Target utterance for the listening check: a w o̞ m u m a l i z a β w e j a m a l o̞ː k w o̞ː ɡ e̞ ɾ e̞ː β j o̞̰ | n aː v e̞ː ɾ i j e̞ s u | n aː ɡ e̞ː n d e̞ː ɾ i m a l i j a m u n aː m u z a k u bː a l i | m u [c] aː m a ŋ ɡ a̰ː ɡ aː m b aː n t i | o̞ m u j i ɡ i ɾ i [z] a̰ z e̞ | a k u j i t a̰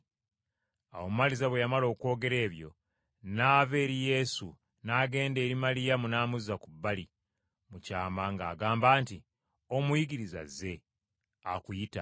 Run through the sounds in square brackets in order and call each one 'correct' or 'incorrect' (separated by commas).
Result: correct, correct